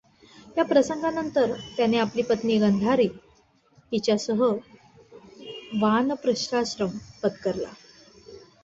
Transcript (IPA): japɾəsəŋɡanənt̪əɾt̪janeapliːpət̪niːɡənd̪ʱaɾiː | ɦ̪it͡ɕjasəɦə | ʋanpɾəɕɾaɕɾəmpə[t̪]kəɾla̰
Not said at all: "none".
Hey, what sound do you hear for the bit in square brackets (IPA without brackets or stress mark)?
t̪